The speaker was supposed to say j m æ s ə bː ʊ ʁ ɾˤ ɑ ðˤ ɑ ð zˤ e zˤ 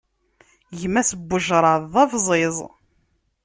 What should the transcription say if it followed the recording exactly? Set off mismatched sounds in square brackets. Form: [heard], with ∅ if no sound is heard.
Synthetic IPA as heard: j m æ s ə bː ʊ [ʒ] ɾˤ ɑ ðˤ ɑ [v] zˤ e zˤ